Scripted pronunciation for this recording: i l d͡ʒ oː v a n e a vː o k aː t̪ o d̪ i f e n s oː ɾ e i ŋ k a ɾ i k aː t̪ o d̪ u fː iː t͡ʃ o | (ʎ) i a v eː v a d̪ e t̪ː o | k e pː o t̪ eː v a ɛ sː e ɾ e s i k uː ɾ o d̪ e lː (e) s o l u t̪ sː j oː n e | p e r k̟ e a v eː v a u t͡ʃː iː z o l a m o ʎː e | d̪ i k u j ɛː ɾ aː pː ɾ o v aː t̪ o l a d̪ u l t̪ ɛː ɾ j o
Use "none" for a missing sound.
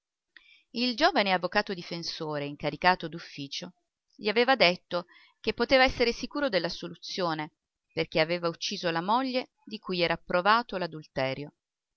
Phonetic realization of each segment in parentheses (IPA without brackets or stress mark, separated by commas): ʎ, a